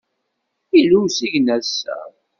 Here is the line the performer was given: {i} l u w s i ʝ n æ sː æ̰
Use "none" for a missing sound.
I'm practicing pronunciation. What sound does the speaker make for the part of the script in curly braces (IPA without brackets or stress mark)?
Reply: i